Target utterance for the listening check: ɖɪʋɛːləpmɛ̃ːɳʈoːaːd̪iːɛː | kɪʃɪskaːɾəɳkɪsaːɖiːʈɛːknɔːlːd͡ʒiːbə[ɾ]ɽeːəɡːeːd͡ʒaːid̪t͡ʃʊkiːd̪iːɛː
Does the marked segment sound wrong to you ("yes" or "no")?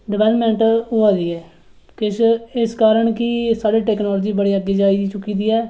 yes